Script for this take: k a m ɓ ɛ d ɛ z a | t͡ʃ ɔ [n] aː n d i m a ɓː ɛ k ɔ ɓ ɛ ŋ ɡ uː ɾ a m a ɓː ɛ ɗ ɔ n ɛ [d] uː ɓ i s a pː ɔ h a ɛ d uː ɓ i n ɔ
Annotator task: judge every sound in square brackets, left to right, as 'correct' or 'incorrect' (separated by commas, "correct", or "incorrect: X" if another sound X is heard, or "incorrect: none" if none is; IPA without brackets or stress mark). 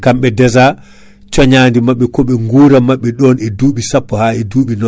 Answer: incorrect: ɲ, correct